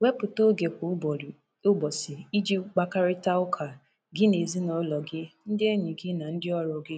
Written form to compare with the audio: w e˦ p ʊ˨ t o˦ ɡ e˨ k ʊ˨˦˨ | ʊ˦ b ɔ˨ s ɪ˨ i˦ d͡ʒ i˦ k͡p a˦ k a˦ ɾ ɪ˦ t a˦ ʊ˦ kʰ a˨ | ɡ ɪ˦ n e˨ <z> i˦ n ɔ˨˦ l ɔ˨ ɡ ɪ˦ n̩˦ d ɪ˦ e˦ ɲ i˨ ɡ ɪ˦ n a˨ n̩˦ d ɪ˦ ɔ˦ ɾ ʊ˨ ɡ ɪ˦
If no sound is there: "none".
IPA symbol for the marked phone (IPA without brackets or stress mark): z